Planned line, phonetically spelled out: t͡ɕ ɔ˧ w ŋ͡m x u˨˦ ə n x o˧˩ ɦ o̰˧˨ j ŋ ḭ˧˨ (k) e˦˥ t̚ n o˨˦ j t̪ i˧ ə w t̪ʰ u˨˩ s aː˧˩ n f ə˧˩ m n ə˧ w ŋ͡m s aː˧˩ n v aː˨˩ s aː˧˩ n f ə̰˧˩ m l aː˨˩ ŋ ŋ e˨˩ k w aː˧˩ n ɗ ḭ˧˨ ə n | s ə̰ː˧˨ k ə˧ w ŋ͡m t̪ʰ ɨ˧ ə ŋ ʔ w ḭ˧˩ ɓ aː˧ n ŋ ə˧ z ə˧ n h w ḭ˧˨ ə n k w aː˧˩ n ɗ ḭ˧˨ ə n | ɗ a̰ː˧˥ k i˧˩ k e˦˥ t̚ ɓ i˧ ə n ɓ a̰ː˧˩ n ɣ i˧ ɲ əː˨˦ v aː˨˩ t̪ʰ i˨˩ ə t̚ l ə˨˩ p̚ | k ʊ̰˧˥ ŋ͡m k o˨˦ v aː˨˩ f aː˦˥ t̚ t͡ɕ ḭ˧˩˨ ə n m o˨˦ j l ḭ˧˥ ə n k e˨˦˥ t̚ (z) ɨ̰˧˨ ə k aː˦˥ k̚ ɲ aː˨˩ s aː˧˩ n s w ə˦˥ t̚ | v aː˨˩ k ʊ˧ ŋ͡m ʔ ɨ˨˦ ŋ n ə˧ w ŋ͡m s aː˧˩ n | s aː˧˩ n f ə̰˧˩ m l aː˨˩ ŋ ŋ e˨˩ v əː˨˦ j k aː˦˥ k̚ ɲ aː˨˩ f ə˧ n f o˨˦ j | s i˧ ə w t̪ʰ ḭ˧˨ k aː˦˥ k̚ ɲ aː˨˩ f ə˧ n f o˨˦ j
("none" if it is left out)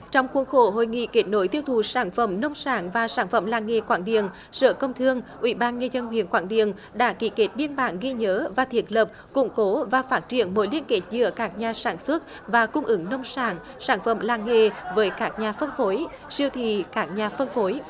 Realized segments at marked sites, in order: k, z

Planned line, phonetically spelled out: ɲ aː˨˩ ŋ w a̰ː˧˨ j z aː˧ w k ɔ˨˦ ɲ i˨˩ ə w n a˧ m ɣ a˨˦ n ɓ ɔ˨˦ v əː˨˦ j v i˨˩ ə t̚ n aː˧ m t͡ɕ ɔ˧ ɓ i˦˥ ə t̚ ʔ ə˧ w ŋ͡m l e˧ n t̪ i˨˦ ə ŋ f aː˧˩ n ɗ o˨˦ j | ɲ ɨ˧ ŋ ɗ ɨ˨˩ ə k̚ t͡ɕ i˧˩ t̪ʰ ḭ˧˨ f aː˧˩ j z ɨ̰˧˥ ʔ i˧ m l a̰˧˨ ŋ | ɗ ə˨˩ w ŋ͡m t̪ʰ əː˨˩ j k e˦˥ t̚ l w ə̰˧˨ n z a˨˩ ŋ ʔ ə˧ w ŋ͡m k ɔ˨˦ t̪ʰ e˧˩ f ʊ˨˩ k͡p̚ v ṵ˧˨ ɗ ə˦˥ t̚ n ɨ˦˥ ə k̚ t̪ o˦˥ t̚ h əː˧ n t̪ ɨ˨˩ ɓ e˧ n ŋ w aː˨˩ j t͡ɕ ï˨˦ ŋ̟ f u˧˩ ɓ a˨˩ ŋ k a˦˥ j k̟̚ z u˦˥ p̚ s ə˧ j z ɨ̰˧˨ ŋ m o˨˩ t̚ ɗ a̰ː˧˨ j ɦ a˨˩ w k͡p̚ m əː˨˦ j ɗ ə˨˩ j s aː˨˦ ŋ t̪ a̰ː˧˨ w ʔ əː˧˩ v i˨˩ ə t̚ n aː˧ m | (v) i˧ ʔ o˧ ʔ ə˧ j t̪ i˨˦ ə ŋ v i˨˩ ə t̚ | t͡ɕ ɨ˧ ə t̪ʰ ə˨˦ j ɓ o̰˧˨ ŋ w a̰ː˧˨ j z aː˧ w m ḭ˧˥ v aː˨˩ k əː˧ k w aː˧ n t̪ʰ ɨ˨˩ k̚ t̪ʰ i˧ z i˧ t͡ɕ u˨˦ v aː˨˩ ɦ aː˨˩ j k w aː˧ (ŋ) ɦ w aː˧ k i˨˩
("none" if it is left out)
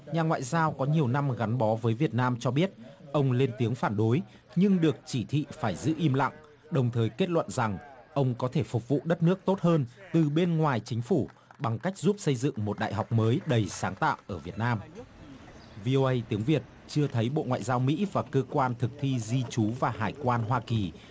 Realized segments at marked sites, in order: v, n

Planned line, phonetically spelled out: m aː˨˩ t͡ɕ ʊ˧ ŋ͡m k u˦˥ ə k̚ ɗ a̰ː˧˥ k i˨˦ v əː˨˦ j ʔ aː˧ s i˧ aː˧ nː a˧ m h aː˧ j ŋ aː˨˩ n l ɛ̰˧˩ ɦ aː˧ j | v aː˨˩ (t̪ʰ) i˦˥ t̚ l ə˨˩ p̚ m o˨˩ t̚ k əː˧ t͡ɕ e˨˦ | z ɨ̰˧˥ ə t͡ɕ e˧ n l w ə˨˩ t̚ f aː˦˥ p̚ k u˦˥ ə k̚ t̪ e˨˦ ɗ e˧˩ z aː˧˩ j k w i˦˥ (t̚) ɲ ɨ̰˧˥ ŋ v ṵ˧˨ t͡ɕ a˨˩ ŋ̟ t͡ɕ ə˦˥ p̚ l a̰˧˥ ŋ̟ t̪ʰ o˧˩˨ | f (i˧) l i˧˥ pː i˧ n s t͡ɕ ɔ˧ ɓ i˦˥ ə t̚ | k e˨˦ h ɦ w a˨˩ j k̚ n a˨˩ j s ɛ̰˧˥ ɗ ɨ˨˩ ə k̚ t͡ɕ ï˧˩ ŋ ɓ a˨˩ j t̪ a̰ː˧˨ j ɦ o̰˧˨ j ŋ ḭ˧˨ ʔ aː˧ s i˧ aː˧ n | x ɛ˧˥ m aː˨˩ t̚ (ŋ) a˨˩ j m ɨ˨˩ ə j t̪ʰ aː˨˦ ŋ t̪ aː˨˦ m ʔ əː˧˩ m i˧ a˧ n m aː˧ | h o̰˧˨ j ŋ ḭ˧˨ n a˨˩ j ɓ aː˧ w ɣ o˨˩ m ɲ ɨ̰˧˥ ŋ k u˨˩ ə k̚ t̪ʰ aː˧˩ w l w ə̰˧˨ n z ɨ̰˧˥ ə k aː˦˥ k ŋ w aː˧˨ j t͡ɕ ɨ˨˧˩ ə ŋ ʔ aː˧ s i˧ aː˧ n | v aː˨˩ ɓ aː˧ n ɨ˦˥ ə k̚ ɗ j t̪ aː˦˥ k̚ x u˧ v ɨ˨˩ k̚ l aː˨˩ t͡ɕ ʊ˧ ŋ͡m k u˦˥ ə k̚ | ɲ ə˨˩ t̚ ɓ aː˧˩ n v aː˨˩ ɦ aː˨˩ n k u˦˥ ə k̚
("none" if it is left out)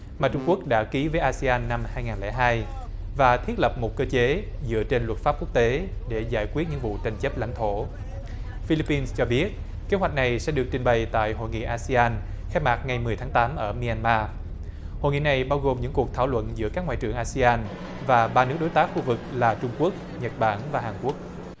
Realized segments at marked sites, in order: t̪ʰ, t̚, i˧, ŋ

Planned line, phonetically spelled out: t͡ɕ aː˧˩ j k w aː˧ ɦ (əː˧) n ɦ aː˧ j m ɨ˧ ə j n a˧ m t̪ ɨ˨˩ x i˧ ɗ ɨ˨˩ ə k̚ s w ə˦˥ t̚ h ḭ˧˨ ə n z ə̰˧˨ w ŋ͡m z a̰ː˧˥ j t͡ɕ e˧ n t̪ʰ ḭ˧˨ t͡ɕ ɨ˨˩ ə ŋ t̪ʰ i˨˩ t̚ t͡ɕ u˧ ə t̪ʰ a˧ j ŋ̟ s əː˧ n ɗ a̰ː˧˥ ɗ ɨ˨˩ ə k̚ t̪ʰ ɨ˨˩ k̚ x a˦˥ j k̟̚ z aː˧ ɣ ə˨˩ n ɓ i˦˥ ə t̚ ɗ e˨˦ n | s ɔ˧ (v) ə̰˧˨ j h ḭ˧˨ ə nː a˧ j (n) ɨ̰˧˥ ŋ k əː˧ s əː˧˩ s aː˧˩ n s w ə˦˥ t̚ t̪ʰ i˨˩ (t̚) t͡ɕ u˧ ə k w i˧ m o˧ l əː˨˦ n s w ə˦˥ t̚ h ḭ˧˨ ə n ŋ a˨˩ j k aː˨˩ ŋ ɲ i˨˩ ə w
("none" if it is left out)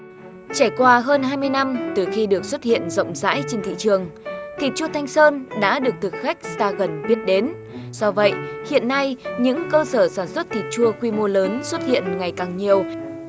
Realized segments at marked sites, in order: əː˧, v, ɲ, t̚

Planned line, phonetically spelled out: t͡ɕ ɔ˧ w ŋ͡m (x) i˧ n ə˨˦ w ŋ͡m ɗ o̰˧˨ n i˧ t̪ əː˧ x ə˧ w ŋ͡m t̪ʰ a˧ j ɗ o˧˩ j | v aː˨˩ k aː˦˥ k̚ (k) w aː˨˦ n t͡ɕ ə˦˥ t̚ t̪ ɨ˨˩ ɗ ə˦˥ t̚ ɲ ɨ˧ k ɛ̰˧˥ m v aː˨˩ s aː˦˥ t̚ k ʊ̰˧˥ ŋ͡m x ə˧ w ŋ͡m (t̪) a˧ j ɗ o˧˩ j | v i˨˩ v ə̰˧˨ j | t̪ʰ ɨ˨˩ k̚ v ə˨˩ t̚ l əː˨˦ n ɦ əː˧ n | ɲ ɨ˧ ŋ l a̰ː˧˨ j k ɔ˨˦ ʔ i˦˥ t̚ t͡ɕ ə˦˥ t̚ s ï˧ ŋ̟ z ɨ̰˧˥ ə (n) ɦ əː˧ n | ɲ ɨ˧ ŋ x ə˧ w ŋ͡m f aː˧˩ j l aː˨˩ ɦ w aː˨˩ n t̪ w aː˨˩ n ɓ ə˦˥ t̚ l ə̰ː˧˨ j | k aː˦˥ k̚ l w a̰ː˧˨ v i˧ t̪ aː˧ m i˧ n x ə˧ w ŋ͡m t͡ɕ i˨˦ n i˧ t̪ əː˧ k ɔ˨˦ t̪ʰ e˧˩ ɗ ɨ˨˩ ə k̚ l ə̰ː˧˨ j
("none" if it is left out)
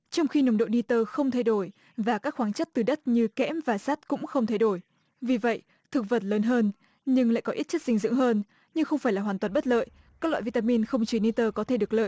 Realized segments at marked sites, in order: x, x, t̪ʰ, ŋ

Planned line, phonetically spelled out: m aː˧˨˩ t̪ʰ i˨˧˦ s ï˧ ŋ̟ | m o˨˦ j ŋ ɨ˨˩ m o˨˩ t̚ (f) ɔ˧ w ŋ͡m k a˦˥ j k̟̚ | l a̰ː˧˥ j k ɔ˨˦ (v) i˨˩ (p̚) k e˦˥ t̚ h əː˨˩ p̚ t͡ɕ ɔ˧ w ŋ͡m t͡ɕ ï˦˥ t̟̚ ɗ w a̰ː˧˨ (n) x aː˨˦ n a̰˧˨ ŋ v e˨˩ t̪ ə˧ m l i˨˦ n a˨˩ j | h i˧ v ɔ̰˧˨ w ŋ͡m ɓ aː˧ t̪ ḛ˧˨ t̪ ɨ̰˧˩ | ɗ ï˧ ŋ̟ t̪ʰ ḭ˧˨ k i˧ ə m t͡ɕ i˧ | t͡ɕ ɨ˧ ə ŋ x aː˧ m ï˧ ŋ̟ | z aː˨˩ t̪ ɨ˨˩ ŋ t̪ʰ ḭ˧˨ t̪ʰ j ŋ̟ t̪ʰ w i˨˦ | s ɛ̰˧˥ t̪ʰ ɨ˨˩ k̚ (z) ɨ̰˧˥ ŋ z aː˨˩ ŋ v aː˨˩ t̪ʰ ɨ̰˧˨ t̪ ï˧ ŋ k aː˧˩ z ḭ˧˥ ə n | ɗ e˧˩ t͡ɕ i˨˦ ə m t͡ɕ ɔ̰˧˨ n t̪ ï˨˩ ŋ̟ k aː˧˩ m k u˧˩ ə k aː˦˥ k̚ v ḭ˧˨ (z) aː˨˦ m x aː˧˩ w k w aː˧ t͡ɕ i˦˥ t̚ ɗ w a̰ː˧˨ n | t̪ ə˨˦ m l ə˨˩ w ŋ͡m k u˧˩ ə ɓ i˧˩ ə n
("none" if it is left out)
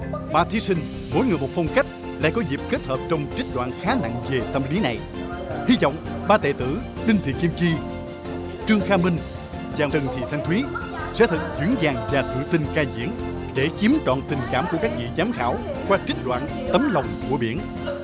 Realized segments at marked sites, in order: f, z, p̚, n, z, z

